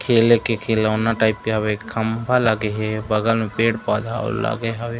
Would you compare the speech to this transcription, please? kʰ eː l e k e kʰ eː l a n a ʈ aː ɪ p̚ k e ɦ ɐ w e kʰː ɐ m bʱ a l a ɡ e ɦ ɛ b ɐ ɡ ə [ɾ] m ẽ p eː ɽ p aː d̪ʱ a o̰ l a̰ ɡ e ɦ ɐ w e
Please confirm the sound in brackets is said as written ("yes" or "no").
no